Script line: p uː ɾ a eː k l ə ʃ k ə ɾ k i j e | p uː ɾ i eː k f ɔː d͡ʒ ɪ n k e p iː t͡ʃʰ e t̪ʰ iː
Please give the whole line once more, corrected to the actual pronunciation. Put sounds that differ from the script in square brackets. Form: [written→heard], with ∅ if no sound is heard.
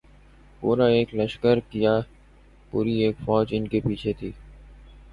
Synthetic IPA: p uː ɾ a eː k l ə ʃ k ə ɾ k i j [e→a] | p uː ɾ i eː k f ɔː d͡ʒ ɪ n k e p iː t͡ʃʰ e t̪ʰ iː